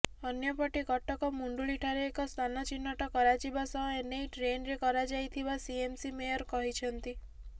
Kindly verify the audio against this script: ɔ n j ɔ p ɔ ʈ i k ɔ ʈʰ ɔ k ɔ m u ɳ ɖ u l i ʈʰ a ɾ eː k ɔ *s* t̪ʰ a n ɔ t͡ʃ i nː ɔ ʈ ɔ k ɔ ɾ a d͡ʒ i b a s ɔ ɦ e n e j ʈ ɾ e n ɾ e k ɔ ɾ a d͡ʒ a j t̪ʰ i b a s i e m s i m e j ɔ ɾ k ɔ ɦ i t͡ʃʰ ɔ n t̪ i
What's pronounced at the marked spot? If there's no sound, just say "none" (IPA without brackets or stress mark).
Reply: s